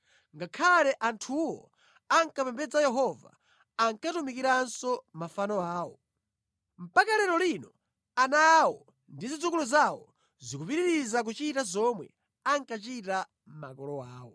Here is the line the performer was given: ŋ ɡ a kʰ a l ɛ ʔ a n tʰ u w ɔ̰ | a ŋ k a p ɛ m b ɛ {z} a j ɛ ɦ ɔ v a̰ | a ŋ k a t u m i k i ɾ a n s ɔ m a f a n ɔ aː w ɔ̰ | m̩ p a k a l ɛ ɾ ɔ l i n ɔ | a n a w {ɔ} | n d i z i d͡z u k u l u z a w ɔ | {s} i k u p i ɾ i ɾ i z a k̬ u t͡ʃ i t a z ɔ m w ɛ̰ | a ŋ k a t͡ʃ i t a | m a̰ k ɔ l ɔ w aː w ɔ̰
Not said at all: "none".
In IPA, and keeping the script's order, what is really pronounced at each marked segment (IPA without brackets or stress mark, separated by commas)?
d͡z, ɔ, z